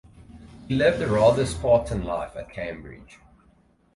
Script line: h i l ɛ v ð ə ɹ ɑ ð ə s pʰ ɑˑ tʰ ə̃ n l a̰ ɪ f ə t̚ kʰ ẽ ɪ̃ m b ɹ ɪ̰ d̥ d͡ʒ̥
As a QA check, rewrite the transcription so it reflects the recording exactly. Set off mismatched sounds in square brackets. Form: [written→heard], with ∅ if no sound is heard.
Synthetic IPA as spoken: h i l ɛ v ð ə ɹ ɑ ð ə s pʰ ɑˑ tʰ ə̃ n l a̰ ɪ f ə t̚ kʰ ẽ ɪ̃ m b ɹ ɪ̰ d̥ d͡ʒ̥